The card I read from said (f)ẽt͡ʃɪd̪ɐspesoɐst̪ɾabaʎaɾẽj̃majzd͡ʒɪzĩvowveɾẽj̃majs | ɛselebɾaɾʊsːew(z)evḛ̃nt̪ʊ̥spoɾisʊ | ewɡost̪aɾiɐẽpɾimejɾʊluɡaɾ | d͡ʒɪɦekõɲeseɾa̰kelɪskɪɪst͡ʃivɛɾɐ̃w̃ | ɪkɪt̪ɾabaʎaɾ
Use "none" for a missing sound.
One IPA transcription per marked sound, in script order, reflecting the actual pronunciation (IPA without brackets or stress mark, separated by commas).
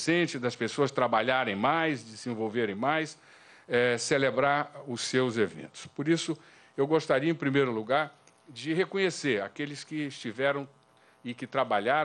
s, z